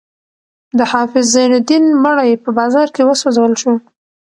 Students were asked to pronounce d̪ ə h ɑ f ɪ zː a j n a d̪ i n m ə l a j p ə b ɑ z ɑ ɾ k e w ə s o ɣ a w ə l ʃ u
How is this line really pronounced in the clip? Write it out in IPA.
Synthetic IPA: d̪ ə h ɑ f ɪ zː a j n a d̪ i n m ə ɽ a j p ə b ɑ z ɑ ɾ k e w ə s o z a w ə l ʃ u